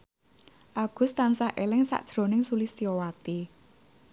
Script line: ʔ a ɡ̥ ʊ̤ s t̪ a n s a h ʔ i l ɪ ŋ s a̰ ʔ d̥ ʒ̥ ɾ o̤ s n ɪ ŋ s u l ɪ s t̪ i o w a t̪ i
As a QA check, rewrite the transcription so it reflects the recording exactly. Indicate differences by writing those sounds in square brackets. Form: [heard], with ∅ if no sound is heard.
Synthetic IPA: ʔ a ɡ̥ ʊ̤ s t̪ a n s a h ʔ [e] l ɪ ŋ s a̰ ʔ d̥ ʒ̥ ɾ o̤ [∅] n ɪ ŋ s u l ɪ s t̪ i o w a t̪ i